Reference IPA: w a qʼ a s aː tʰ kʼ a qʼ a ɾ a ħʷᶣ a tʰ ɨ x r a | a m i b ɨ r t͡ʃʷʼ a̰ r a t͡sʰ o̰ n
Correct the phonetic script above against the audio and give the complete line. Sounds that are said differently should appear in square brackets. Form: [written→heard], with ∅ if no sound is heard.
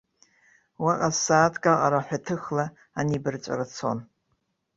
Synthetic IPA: w a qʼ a s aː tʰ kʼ a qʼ a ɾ a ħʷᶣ a tʰ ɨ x [r→l] a | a [m→n] i b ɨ r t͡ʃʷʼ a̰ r a t͡sʰ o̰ n